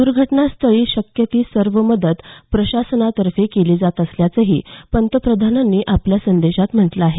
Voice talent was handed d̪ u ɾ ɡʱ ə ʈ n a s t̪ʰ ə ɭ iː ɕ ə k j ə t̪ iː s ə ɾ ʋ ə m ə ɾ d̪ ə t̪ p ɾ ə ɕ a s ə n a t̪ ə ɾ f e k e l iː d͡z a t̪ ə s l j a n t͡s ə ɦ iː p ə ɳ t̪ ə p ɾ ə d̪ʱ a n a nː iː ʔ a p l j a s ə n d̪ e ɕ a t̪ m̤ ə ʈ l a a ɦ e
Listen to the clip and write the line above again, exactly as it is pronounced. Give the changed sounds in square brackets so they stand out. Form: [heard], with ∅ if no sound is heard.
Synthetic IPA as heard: d̪ u ɾ ɡʱ ə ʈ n a s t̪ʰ ə ɭ iː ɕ ə k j ə t̪ iː s ə ɾ ʋ ə m ə [∅] d̪ ə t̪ p ɾ ə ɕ a s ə n a t̪ ə ɾ f e k e l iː d͡z a t̪ ə s l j a [∅] t͡s ə ɦ iː p ə [n] t̪ ə p ɾ ə d̪ʱ a n a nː iː ʔ a p l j a s ə n d̪ e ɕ a t̪ m̤ ə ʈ l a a ɦ e

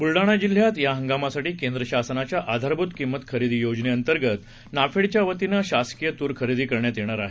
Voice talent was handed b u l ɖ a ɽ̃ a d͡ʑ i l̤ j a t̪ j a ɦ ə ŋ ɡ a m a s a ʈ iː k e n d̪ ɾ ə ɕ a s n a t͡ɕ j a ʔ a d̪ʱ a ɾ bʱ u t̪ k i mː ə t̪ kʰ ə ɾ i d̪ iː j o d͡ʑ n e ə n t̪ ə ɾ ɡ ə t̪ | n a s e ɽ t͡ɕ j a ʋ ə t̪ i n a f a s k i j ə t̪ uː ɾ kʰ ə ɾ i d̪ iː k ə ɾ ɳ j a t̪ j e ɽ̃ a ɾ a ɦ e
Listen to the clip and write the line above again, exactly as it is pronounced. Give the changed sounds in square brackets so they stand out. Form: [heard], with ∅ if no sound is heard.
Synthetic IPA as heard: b u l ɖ a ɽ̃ a d͡ʑ i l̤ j a t̪ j a ɦ ə ŋ ɡ a m a s a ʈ iː k e n d̪ ɾ ə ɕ a s n a t͡ɕ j a ʔ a d̪ʱ a ɾ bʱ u t̪ k i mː ə t̪ kʰ ə ɾ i d̪ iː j o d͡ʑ n e ə n t̪ ə ɾ ɡ ə t̪ | n a [f] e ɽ t͡ɕ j a ʋ ə t̪ i n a [ɕ] a s k i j ə t̪ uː ɾ kʰ ə ɾ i d̪ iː k ə ɾ ɳ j a t̪ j e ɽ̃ a ɾ a ɦ e

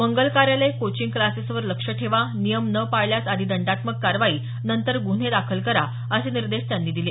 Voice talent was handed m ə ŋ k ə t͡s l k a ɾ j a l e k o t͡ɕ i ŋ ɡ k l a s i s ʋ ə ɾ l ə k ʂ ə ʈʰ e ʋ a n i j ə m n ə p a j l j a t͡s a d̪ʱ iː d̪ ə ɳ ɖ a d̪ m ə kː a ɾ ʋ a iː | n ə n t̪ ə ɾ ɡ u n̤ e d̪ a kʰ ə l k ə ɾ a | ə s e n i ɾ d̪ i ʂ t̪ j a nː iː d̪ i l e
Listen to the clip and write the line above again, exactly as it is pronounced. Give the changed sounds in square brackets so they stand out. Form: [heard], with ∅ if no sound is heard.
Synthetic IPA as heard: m ə ŋ [ɡ] ə [∅] l k a ɾ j a l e k o t͡ɕ i ŋ ɡ k l a s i s ʋ ə ɾ l ə k ʂ ə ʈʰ e ʋ a n i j ə m n ə p a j l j a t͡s a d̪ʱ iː d̪ ə ɳ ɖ a [t̪] m ə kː a ɾ ʋ a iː | n ə n t̪ ə ɾ ɡ u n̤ e d̪ a kʰ ə l k ə ɾ a | ə s e n i ɾ d̪ [e] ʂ t̪ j a nː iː d̪ i l e

